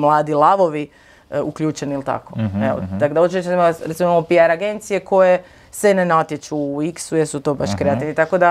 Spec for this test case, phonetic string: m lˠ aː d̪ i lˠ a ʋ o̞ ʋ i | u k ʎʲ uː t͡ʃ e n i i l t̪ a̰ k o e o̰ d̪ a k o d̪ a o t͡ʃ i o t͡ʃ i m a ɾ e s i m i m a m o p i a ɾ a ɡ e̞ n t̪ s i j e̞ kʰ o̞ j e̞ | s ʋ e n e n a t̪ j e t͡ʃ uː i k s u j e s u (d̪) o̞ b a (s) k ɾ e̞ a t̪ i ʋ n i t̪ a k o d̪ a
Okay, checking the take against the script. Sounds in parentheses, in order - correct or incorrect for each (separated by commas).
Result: incorrect, incorrect